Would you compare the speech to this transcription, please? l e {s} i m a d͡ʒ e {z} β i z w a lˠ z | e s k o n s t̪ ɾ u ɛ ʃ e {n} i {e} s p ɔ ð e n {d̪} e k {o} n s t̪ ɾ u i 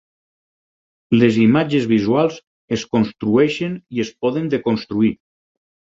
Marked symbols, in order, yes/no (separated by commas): no, yes, yes, yes, yes, yes